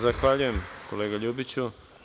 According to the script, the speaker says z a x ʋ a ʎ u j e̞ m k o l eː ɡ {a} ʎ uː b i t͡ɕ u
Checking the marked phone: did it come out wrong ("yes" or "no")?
no